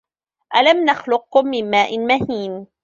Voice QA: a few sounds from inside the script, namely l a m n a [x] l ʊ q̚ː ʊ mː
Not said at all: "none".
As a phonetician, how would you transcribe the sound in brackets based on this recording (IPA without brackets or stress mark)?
x